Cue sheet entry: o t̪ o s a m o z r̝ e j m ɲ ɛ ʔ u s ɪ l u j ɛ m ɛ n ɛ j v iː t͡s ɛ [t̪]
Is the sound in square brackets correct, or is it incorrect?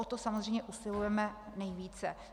incorrect